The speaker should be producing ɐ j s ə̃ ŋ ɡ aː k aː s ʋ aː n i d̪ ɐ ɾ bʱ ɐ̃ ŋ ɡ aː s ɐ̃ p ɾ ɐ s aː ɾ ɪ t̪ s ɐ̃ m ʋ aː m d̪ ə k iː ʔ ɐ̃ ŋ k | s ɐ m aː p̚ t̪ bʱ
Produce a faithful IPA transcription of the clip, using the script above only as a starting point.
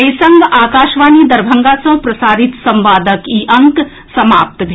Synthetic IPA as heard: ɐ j s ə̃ ŋ ɡ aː k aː ʃ ʋ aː n i d̪ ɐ ɾ bʱ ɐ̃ ŋ ɡ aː s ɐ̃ p ɾ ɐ s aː ɾ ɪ t̪ s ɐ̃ m ʋ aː d̪ ə k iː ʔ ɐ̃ ŋ k | s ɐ m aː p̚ t̪ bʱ

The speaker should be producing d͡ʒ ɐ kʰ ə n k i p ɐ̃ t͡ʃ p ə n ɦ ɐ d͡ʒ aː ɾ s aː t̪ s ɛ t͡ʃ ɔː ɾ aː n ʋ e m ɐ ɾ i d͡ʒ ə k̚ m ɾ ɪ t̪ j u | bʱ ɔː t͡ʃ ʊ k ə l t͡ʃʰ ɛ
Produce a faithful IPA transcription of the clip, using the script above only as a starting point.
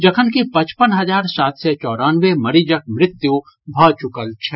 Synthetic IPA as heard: d͡ʒ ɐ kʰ ə n k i p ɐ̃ t͡ʃ p ə n ɦ ɐ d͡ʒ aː ɾ s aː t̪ s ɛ t͡ʃ ɔː ɾ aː n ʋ e m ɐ ɾ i d͡ʒ ə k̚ m ɾ ɪ t̪ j u | bʱ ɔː t͡ʃ ʊ k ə l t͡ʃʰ ɛ

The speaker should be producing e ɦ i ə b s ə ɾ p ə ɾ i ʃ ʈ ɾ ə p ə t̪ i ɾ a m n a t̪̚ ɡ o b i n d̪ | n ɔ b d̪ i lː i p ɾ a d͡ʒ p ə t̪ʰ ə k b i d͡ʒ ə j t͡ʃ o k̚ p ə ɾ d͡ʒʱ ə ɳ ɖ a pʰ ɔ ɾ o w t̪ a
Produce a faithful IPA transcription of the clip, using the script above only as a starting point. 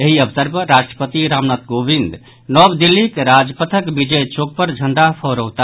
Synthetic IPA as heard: e ɦ i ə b s ə ɾ p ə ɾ a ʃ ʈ ɾ ə p ə t̪ i ɾ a m n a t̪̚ ɡ o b i n d̪ | n ɔ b d̪ i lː i k ɾ a d͡ʒ p ə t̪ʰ ə k b i d͡ʒ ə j t͡ʃ o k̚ p ə ɾ d͡ʒʱ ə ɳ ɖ a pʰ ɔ ɾ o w t̪ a

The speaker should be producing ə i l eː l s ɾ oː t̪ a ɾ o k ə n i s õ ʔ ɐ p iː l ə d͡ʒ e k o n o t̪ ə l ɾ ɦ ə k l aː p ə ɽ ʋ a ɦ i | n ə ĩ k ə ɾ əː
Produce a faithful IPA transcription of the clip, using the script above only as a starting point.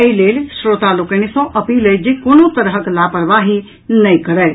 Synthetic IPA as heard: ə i l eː l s ɾ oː t̪ a l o k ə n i s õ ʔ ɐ p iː l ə d͡ʒ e k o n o t̪ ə ɾ ɦ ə k l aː p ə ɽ ʋ a ɦ i | n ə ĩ k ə ɾ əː

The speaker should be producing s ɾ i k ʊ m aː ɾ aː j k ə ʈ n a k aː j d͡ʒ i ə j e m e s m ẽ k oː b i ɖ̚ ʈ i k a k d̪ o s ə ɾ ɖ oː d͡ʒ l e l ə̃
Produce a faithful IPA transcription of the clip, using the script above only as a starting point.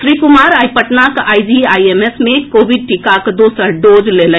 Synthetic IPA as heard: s ɾ i k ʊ m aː ɾ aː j p ə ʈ n a k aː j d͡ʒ i a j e m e s m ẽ k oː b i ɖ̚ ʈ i k a k d̪ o s ə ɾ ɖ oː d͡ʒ l e l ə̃

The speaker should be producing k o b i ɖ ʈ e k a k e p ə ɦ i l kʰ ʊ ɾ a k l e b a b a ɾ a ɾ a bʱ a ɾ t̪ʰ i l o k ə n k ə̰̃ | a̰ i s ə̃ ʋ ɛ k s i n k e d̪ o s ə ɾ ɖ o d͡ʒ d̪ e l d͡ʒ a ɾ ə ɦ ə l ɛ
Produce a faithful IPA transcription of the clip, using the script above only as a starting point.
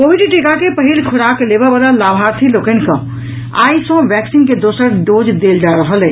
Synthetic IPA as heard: k o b i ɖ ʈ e k a k e p ə ɦ i l kʰ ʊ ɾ a k l e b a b a l a l a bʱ a ɾ t̪ʰ i l o k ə n k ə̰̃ | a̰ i s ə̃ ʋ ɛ k s i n k e d̪ o s ə ɾ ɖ o d͡ʒ d̪ e l d͡ʒ a ɾ ə ɦ ə l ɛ

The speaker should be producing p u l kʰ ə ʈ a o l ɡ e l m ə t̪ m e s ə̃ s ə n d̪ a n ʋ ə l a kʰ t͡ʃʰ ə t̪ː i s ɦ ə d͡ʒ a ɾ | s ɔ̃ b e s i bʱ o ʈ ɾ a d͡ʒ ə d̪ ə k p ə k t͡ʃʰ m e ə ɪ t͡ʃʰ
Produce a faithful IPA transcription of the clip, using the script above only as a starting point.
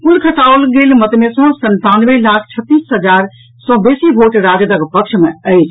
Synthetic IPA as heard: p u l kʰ ə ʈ a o l ɡ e l m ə t̪ m e s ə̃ s ə n t̪ a n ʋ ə l a kʰ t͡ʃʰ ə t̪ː i s ɦ ə d͡ʒ a ɾ | s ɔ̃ b e s i bʱ o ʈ ɾ a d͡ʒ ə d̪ ə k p ə k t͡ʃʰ m e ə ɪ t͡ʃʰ

